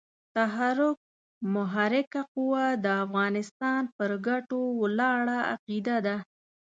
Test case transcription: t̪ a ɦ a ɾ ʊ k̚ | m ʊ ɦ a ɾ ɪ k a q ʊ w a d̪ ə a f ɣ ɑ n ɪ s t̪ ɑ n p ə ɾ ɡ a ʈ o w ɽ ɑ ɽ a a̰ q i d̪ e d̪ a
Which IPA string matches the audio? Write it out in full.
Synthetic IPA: t̪ a ɦ a ɾ ʊ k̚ | m ʊ ɦ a ɾ ɪ k a q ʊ w a d̪ ə a f ɣ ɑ n ɪ s t̪ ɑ n p ə ɾ ɡ a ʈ o w l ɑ ɽ a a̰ q i d̪ a d̪ a